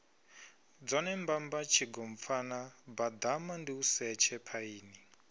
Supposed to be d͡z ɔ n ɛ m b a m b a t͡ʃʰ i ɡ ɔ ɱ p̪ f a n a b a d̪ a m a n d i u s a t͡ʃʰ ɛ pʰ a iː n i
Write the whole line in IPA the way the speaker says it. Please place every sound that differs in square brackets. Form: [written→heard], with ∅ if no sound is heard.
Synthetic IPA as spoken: d͡z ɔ n ɛ m b a m b a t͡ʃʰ i ɡ ɔ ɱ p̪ f a n a b a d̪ a m a n d i u s [a→ɛ] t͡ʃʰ ɛ pʰ a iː n i